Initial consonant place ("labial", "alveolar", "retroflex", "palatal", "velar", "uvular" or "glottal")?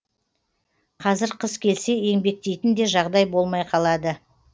uvular